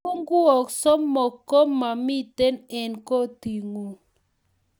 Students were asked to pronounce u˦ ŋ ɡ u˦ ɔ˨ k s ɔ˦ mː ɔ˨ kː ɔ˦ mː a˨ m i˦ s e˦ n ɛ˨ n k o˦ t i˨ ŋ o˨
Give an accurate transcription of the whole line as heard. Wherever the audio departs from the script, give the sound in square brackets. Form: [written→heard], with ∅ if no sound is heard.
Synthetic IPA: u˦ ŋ ɡ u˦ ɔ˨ k s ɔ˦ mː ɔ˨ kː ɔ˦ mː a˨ m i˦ [s→t] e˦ n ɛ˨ n k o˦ t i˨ ŋ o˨